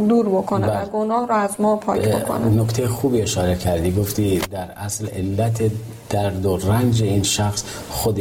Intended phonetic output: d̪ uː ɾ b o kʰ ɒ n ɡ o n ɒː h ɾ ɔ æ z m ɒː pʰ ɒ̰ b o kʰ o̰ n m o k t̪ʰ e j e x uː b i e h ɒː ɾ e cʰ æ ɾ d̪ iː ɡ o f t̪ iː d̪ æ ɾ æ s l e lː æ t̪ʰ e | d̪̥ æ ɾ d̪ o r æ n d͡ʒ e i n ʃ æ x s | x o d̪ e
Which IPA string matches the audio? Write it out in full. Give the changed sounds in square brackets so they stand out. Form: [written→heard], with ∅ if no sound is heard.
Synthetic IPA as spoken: d̪ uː ɾ b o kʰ [ɒ→o] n ɡ o n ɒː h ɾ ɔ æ z m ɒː pʰ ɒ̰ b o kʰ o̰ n [m→n] o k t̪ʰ e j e x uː b i e [h→ʃ] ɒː ɾ e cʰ æ ɾ d̪ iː ɡ o f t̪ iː d̪ æ ɾ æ s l e lː æ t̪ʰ e | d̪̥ æ ɾ d̪ o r æ n d͡ʒ e i n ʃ æ x s | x o d̪ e